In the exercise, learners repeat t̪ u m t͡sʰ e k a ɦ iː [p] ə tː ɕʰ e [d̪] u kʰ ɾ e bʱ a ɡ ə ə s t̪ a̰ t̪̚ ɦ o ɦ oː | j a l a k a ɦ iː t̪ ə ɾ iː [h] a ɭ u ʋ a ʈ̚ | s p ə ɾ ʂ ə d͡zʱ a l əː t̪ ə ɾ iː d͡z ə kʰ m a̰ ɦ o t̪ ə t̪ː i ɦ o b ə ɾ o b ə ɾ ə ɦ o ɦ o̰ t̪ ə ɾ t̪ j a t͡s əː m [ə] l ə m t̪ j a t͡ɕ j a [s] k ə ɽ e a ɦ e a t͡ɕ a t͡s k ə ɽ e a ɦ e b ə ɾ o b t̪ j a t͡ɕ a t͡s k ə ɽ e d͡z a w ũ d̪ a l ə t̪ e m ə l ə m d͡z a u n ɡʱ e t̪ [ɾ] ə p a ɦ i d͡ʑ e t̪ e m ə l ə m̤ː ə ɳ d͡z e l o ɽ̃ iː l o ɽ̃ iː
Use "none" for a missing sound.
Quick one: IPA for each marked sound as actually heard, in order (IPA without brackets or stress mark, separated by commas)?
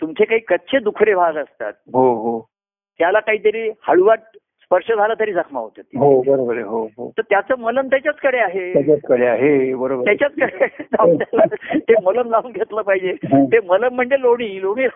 k, d̪, h, ə, t͡s, l